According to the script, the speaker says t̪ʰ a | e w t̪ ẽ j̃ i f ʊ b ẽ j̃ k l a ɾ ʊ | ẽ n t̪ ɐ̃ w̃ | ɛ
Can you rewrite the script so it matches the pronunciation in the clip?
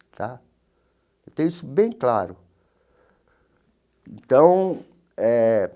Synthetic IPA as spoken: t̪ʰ a | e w t̪ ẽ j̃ i s ʊ b ẽ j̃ k l a ɾ ʊ | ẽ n t̪ ɐ̃ w̃ | ɛ

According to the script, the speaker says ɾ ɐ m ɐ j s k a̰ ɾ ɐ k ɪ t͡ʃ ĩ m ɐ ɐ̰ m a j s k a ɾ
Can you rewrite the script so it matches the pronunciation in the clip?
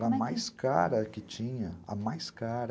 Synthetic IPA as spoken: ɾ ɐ m a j s k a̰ ɾ ɐ k ɪ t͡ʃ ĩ ɲ ɐ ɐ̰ m a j s k a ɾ

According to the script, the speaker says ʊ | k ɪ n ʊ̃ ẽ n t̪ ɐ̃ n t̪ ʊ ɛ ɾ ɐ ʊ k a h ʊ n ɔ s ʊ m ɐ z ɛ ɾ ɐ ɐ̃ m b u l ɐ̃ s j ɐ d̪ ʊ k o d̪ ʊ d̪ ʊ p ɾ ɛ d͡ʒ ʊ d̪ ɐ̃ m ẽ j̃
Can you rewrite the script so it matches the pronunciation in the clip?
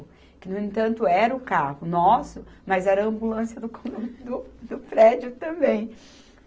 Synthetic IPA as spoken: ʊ | k ɪ n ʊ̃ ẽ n t̪ ɐ̃ n t̪ ʊ ɛ ɾ ɐ ʊ k a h ʊ n ɔ s ʊ m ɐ z ɛ ɾ ɐ ɐ̃ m b u l ɐ̃ s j ɐ d̪ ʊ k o d̪ ʊ d̪ ʊ p ɾ ɛ d͡ʒ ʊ t̪ ɐ̃ b ẽ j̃

